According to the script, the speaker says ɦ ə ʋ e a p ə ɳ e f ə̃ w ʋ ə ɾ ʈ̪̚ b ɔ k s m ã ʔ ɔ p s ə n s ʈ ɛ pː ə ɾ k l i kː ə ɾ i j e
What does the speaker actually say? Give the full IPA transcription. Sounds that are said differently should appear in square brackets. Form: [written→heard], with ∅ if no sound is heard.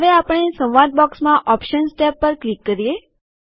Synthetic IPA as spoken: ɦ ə ʋ e a p ə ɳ e [f→s] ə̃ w ʋ [ə→a] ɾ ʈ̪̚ b ɔ k s m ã ʔ ɔ p [s→ʃ] ə n s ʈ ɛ pː ə ɾ k l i kː ə ɾ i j e